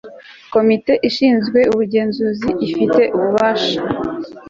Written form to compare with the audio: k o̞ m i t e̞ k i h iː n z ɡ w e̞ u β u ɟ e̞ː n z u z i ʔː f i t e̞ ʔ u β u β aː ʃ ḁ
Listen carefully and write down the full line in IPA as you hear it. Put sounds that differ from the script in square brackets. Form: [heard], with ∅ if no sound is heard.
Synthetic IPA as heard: k o̞ m i t e̞ [ʔ] i [ʃ] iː n z ɡ w e̞ u β u ɟ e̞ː n z u z i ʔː f i t e̞ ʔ u β u β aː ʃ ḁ